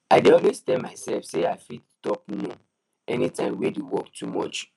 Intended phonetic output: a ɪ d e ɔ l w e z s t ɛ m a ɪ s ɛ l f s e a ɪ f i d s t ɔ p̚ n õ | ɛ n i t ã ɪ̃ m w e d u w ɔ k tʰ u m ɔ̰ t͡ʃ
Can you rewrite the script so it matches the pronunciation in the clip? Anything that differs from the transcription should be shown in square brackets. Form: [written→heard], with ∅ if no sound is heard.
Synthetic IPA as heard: a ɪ d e ɔ l w e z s t ɛ m a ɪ s ɛ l f s e a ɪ f i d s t ɔ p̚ n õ | ɛ n i t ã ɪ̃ m w e d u w ɔ k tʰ u m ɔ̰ t͡ʃ